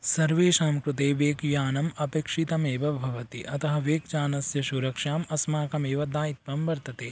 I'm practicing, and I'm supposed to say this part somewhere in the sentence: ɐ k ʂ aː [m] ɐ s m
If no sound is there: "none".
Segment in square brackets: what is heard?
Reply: m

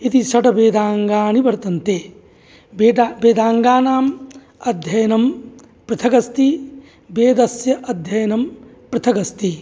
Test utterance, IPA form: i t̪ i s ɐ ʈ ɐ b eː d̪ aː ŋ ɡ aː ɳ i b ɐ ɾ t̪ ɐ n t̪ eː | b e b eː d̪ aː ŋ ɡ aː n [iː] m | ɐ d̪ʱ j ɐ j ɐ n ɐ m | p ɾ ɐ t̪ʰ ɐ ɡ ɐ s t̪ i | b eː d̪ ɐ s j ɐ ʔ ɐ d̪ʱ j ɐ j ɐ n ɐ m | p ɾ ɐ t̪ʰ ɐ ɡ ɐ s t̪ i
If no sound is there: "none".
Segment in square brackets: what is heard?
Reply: aː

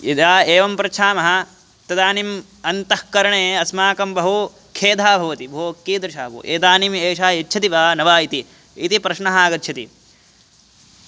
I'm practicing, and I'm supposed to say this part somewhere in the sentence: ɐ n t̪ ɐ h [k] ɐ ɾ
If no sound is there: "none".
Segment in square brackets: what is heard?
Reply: k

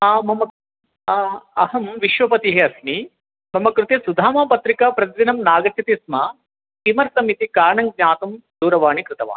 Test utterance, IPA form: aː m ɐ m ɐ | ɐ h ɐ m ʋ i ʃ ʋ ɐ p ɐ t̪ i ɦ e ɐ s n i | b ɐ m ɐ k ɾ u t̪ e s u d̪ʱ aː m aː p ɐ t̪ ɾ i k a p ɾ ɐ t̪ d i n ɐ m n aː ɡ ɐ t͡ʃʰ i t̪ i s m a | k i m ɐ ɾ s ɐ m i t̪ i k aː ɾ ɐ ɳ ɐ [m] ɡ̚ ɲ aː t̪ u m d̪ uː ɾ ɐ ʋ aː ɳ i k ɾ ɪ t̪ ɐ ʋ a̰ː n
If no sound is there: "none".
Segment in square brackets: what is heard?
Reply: ŋ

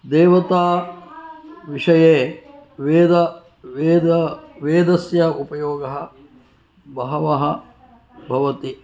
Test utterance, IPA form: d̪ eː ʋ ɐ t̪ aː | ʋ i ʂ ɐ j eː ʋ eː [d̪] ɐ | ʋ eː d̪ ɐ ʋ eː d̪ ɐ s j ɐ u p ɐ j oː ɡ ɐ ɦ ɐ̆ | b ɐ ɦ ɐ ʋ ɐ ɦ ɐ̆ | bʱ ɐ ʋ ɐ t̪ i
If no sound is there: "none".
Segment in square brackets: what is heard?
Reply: d̪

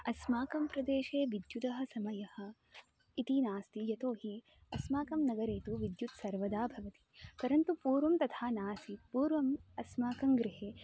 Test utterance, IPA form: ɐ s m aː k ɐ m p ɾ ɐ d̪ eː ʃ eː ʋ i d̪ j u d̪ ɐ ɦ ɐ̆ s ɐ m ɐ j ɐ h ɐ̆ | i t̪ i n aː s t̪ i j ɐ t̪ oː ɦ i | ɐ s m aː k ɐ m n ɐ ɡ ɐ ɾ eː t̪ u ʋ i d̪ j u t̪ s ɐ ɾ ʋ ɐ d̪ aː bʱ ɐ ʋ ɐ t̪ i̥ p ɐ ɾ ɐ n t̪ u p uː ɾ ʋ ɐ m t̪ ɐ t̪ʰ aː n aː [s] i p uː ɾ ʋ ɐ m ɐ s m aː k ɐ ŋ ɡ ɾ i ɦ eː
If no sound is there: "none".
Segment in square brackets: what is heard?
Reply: s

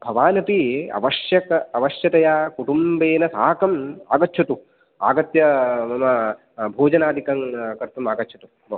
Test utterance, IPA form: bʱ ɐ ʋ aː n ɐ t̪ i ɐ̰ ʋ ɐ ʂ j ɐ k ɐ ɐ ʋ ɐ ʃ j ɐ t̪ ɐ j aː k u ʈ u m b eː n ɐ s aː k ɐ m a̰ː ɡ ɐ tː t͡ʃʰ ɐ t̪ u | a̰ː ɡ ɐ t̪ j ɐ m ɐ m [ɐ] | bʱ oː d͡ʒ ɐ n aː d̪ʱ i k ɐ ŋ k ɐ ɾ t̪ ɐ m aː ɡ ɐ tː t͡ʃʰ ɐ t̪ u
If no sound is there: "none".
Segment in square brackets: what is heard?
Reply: ɐ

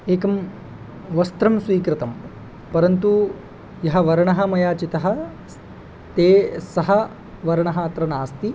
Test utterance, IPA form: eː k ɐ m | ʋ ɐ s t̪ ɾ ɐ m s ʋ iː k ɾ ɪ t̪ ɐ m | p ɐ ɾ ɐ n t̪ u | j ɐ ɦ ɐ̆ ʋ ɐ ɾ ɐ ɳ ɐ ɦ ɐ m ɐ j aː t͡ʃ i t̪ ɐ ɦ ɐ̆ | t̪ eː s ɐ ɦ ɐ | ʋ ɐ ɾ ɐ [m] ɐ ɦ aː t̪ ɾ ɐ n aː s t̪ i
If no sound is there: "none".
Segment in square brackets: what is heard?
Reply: ɳ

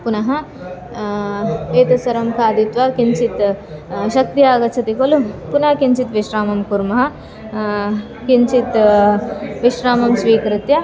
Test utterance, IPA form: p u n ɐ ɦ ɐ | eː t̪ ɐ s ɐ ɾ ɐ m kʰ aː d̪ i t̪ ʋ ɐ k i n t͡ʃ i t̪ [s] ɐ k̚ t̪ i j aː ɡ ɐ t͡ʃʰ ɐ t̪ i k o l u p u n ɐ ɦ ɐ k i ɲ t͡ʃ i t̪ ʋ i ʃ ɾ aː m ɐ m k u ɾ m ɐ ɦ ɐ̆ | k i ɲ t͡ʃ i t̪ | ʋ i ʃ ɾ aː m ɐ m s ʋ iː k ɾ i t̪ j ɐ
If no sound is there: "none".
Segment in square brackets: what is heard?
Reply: ʃ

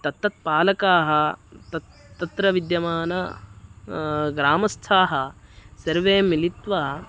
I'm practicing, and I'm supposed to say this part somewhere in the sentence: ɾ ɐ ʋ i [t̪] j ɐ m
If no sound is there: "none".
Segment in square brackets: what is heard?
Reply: d̪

